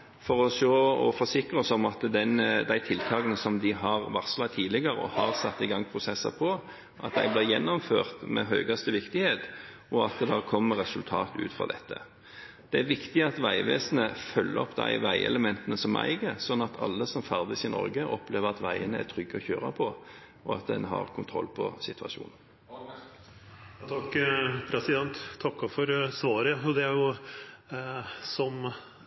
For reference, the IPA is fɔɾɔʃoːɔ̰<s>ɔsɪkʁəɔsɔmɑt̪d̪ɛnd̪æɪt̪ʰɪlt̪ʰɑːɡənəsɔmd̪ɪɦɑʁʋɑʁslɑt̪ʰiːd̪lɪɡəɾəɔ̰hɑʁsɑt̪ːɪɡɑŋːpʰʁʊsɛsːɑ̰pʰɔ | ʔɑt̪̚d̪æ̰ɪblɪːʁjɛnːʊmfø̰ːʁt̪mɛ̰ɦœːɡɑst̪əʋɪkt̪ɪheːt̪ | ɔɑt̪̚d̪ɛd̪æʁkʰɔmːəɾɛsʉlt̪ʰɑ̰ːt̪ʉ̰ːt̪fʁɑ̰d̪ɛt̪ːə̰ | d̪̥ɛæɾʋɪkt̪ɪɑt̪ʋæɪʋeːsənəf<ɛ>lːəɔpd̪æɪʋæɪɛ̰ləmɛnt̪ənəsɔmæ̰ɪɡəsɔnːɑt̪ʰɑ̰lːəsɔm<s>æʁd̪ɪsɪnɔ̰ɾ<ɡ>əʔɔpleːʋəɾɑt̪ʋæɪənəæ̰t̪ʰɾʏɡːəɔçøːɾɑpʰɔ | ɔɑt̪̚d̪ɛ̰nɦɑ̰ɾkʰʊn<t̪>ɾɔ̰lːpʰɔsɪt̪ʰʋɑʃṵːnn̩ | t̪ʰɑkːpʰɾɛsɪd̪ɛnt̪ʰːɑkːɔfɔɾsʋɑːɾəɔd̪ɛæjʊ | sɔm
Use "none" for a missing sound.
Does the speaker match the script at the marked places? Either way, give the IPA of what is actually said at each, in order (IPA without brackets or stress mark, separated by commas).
f, œ, f, ɡ, t̪ʰ